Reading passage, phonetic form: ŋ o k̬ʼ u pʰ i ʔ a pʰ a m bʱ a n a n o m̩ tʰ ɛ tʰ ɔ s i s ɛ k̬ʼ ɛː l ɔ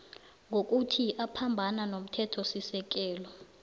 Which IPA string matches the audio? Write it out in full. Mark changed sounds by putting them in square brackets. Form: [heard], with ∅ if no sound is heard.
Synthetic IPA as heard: ŋ o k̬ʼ u [tʰ] i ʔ a pʰ a m bʱ a n a n o m̩ tʰ ɛ tʰ ɔ s i s ɛ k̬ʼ ɛː l ɔ